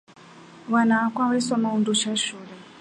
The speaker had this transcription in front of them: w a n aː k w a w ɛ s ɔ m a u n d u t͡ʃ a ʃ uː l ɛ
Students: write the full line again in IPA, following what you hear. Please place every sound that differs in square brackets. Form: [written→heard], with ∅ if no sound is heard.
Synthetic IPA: w a n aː k w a w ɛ s ɔ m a u n d u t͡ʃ a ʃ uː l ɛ